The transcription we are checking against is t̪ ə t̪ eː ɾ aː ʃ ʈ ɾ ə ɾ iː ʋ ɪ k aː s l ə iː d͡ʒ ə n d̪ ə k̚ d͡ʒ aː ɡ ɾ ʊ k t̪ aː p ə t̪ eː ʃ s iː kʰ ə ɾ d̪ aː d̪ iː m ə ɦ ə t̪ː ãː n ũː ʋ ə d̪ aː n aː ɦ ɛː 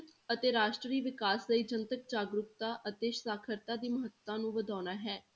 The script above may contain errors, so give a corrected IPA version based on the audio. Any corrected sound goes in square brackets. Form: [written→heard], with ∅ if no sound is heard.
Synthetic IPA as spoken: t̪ ə t̪ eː ɾ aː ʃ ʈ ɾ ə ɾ iː ʋ ɪ k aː s l ə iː d͡ʒ ə n [d̪→t̪] ə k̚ d͡ʒ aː ɡ ɾ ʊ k t̪ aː [p→ʔ] ə t̪ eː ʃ s [iː→aː] kʰ ə ɾ [d̪→t̪] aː d̪ iː m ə ɦ ə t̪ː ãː n ũː ʋ ə d̪ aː n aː ɦ ɛː

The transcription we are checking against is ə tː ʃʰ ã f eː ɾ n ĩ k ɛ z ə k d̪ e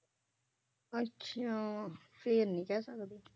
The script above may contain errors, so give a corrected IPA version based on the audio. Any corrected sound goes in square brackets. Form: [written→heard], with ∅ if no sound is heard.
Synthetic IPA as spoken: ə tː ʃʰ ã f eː ɾ n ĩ k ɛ [z→s] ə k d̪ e

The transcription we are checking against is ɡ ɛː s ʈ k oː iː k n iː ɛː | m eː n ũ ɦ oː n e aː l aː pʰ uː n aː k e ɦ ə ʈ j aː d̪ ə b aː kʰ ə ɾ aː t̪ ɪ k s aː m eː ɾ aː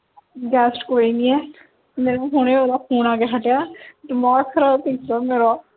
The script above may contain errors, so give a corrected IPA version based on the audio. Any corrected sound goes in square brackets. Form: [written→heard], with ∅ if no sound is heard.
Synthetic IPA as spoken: ɡ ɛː s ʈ k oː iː [k→∅] n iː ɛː | m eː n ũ ɦ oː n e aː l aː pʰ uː n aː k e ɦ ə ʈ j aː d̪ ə [b→m] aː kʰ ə ɾ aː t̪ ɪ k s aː m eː ɾ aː

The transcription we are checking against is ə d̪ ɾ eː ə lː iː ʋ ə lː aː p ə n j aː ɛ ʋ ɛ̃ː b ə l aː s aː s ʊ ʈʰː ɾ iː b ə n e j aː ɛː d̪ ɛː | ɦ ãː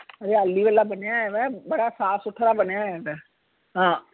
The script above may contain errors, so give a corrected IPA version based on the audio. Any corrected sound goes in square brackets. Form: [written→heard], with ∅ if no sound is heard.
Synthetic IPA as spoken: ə [d̪→∅] ɾ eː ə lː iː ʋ ə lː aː [p→b] ə n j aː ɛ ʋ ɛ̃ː b ə [l→ɽ] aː s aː s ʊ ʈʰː ɾ [iː→aː] b ə n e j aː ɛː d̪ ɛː | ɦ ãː

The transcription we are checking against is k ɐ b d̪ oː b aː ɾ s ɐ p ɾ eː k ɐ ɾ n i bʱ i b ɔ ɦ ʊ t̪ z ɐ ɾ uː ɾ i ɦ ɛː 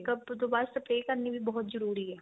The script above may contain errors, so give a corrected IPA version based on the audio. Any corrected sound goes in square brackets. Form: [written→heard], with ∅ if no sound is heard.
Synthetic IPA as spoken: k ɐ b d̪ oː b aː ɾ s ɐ p ɾ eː k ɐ ɾ n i bʱ i b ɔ ɦ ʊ t̪ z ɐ ɾ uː ɾ i ɦ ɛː

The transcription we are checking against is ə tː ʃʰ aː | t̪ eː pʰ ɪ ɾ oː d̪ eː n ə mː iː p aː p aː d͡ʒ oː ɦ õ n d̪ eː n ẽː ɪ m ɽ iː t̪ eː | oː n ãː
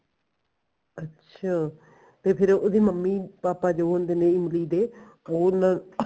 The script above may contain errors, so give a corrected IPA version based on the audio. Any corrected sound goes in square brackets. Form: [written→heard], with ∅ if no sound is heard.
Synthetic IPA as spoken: ə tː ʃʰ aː | t̪ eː pʰ ɪ ɾ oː d̪ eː [n→m] ə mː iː p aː p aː d͡ʒ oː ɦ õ n d̪ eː n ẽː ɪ m [ɽ→l] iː [t̪→d̪] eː | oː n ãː

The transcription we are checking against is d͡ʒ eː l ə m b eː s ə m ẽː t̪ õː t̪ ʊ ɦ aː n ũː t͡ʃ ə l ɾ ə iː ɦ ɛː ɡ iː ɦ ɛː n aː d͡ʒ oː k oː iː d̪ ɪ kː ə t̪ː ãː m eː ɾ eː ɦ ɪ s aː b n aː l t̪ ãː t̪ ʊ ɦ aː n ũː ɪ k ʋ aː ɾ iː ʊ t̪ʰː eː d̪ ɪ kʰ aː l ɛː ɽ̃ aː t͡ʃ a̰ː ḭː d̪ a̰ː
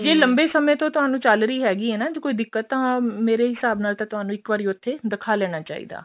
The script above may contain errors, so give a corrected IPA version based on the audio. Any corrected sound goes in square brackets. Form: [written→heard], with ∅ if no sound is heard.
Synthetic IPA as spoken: d͡ʒ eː l ə m b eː s ə m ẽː t̪ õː t̪ ʊ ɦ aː n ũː t͡ʃ ə l ɾ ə iː ɦ ɛː ɡ iː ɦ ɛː n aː d͡ʒ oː k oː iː d̪ ɪ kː ə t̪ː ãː m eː ɾ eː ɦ ɪ s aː b n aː l t̪ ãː t̪ ʊ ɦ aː n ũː ɪ k ʋ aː ɾ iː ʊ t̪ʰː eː d̪ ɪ kʰ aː l ɛː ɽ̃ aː t͡ʃ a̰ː ḭː d̪ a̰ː

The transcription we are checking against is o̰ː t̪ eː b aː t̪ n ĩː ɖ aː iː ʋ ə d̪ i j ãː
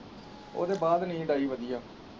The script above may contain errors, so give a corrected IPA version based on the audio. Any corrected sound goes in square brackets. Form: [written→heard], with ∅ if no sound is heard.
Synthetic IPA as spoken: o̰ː [t̪→d̪] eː b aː [t̪→d̪] n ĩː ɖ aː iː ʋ ə d̪ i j [ãː→aː]

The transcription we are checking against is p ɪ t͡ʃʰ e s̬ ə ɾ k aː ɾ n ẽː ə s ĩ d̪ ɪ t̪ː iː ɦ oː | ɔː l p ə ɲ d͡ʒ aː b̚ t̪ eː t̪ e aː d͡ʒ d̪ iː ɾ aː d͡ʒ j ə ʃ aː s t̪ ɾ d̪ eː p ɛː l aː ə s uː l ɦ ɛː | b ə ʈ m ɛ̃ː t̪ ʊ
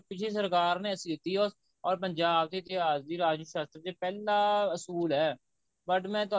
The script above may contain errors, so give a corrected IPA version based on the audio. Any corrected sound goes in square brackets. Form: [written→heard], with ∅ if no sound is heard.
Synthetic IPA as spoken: p ɪ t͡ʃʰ e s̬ ə ɾ k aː ɾ n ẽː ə s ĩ d̪ ɪ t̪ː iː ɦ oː | ɔː [l→ɾ] p ə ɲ d͡ʒ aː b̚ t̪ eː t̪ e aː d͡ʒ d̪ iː ɾ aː d͡ʒ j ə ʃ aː s t̪ ɾ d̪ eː p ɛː l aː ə s uː l ɦ ɛː | b ə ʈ m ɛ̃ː t̪ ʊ

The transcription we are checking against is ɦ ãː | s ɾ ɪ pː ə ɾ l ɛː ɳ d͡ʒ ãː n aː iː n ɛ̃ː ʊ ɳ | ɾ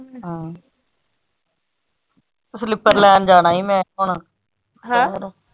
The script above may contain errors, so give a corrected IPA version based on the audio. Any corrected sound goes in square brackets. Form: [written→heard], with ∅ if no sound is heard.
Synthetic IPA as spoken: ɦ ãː | s [ɾ→l] ɪ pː ə ɾ l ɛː [ɳ→n] d͡ʒ [ãː→aː] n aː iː [n→m] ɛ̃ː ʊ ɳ | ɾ

